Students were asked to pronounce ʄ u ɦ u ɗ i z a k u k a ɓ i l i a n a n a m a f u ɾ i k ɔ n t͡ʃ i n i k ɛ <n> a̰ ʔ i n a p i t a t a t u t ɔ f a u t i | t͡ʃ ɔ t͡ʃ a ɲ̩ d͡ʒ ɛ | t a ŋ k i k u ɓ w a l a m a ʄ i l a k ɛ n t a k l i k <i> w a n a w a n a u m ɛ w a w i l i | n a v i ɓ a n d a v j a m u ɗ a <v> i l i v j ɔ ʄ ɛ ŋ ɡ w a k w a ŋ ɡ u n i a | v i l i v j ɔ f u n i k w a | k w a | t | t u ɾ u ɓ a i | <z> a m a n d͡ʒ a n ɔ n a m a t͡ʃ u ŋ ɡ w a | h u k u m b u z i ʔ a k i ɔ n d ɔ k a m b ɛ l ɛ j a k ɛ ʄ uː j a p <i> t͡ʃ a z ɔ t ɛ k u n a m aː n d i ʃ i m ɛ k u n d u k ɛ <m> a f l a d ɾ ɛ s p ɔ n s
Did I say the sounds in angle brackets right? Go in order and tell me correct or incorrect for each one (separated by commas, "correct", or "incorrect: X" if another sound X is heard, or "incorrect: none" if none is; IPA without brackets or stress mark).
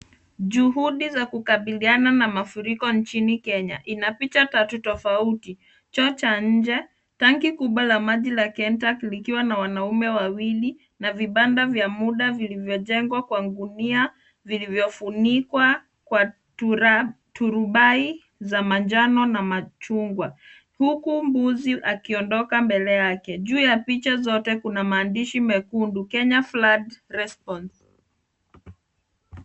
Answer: incorrect: ɲ, correct, correct, correct, correct, incorrect: ɲ